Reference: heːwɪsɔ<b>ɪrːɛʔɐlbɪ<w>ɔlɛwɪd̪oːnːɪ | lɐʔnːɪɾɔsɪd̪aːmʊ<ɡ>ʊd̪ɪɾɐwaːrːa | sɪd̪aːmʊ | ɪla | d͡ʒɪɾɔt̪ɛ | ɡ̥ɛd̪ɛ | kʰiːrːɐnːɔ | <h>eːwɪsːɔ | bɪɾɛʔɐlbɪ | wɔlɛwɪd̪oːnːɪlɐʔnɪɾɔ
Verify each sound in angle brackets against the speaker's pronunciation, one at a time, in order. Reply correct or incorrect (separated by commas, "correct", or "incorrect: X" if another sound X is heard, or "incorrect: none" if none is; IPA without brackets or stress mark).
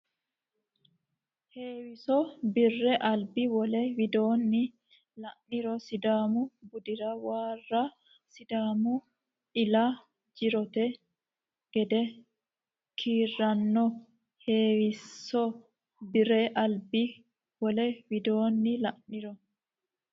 correct, correct, incorrect: b, correct